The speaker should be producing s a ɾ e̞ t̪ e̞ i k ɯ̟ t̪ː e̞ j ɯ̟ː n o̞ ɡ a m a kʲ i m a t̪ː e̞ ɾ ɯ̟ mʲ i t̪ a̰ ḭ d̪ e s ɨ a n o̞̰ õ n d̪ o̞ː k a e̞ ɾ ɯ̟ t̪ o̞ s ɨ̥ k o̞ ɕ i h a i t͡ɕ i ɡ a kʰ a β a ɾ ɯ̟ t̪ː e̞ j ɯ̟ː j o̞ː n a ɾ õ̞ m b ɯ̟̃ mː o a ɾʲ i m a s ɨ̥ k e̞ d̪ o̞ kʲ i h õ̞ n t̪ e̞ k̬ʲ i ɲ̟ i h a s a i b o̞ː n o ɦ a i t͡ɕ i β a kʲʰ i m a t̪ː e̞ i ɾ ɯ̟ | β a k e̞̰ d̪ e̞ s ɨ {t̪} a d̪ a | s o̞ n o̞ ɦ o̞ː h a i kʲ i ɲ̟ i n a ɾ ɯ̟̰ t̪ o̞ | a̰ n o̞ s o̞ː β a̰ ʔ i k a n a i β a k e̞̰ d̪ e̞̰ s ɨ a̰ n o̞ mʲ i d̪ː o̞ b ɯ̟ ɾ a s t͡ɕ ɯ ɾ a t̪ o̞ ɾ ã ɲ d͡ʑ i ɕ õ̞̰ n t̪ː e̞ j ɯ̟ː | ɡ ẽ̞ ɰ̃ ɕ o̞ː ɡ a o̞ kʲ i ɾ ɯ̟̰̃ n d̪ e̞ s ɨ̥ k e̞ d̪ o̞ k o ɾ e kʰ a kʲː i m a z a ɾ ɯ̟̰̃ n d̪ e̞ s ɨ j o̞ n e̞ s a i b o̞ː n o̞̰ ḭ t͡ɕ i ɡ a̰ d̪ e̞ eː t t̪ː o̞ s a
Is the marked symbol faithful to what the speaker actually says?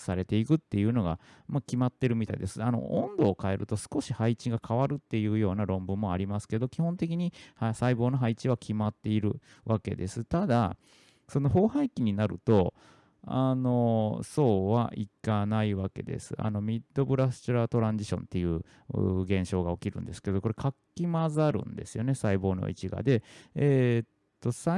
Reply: yes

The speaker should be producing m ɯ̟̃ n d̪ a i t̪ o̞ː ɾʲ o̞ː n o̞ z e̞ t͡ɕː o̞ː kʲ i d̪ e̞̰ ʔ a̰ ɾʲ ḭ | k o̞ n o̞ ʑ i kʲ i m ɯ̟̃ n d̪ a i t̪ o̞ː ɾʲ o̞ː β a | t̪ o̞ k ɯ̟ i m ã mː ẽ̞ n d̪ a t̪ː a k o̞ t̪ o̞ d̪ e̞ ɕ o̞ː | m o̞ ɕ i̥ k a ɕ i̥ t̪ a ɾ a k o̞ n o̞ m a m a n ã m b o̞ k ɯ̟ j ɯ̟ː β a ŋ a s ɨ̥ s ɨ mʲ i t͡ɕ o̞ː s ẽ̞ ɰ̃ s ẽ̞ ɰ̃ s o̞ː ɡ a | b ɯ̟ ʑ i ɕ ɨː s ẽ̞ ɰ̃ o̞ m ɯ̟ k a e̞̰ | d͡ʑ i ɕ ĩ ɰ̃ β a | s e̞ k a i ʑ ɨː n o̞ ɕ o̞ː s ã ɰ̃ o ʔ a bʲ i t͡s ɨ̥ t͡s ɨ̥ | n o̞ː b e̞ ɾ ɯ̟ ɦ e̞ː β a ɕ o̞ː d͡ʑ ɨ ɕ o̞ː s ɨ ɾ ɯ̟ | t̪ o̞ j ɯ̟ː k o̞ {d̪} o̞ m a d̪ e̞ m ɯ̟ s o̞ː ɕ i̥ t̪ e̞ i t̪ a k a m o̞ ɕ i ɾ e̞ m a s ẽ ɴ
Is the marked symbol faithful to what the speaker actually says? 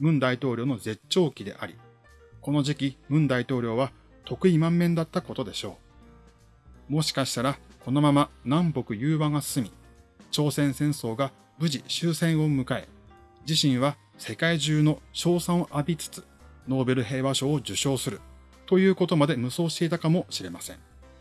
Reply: no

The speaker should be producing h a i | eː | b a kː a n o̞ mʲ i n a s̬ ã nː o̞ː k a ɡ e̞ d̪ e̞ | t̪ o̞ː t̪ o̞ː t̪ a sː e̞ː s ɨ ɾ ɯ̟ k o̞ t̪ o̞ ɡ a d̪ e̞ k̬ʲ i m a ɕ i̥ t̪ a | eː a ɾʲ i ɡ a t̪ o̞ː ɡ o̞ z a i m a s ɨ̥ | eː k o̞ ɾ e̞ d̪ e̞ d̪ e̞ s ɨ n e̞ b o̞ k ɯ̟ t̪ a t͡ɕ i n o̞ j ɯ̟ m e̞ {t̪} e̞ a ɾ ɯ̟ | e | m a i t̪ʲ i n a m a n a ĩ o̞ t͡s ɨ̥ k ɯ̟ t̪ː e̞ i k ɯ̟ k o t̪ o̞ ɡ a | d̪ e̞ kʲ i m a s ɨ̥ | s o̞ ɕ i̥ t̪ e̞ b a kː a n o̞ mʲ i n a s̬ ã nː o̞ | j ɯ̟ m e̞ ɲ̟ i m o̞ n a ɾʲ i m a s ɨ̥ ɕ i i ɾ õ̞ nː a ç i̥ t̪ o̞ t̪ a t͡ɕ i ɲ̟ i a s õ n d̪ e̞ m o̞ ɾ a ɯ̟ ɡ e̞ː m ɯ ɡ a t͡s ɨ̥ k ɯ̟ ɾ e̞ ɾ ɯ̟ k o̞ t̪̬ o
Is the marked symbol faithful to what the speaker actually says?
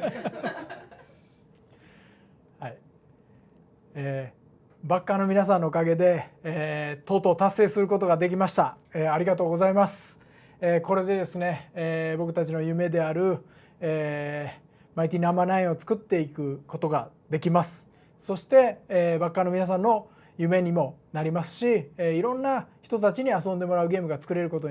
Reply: no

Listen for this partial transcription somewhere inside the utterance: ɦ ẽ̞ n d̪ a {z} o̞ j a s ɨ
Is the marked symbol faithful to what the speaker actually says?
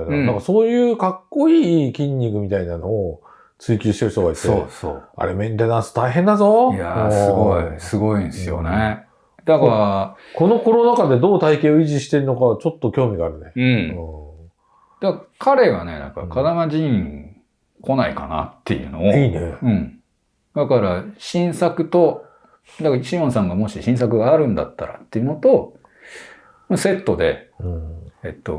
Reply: yes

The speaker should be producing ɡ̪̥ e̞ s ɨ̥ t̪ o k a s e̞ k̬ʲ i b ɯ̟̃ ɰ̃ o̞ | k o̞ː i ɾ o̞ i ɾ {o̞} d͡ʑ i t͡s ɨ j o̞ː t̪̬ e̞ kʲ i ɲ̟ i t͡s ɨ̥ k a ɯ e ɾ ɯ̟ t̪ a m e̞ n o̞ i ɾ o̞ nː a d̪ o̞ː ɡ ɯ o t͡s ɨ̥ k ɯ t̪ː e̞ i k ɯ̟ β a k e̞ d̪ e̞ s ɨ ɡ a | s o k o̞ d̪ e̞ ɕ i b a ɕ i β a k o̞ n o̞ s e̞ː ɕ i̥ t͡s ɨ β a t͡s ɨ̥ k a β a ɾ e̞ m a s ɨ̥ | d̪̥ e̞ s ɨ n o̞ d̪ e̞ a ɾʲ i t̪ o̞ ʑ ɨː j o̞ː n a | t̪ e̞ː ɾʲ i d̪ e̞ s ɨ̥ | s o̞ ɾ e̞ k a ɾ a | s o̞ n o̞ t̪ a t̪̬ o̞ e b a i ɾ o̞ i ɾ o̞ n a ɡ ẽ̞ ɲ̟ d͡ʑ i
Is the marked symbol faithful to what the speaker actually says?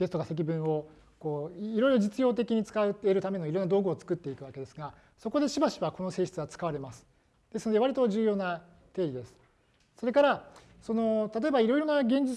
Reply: yes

